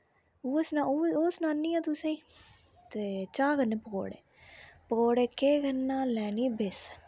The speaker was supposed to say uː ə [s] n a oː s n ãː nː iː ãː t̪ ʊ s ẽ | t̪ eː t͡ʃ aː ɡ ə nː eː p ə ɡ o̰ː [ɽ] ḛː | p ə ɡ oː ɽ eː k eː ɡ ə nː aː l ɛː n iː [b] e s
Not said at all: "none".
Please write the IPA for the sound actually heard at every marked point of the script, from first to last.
s, ɽ, b

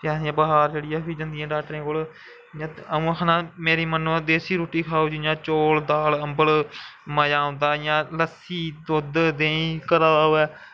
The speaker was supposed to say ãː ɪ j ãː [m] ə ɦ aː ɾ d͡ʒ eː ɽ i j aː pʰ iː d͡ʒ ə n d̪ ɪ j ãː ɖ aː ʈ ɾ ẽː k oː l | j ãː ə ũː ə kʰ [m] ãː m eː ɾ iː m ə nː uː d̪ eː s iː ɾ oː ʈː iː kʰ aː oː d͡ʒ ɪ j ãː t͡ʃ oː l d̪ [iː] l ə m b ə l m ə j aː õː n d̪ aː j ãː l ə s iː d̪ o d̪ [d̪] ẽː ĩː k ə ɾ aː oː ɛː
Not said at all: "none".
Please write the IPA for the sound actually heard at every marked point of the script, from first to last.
b, n, aː, d̪

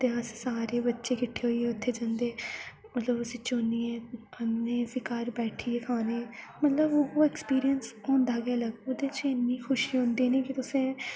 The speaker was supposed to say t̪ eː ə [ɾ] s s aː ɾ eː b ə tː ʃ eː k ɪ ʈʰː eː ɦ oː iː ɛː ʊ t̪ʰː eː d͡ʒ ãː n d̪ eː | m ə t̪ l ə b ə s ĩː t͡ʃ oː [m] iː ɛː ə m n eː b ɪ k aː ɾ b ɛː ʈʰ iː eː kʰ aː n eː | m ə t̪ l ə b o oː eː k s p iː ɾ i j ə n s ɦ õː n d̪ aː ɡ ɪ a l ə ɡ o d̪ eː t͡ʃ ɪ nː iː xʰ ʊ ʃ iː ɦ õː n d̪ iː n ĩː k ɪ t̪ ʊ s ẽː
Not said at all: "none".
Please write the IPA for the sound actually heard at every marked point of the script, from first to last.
none, n

